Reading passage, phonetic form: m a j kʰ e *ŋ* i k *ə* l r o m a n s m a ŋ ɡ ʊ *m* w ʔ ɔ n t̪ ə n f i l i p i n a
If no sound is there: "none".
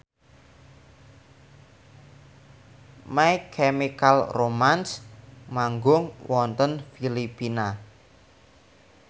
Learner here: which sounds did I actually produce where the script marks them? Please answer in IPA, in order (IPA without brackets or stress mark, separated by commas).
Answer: m, a, ŋ